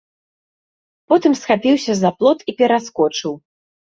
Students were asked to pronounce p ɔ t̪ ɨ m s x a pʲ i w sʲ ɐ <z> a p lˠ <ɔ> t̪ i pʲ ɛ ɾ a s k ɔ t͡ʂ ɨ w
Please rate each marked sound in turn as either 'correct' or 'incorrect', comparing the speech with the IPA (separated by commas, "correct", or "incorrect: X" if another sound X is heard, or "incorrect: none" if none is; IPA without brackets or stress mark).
correct, correct